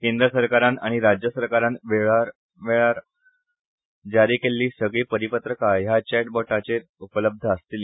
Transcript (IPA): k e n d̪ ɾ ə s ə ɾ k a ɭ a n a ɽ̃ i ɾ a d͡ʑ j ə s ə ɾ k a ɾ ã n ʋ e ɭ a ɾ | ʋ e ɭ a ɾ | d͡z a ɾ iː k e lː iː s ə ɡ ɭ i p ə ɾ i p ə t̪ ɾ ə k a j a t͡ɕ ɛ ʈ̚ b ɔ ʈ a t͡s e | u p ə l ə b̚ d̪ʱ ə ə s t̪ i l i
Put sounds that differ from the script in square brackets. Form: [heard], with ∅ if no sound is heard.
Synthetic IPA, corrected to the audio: k e n d̪ ɾ ə s ə ɾ k a [ɾ] a n a ɽ̃ i ɾ a d͡ʑ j ə s ə ɾ k a ɾ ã n ʋ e ɭ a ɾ | ʋ e ɭ a ɾ | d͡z a ɾ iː k e lː iː s ə ɡ ɭ [iː] p ə ɾ i p ə t̪ ɾ ə k a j a t͡ɕ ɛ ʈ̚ b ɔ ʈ a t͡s e | u p ə l ə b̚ d̪ʱ ə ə s t̪ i l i